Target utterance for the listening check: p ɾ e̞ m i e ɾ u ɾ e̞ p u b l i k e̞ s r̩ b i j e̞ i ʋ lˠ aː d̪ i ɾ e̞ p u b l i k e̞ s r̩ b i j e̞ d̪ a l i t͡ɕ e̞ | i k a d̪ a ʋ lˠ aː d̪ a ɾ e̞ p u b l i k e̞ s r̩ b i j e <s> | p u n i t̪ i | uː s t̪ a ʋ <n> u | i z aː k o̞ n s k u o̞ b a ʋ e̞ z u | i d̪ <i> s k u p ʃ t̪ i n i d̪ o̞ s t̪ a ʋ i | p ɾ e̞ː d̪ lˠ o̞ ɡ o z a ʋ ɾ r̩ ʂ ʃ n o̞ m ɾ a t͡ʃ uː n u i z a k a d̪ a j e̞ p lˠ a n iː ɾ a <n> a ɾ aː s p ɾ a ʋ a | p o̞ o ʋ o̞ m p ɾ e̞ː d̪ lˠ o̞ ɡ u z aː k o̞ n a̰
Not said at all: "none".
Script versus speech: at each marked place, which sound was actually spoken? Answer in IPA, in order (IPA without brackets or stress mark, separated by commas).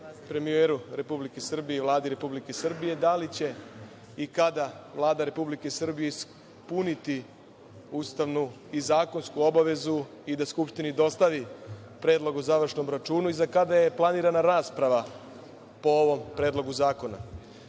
s, n, a, n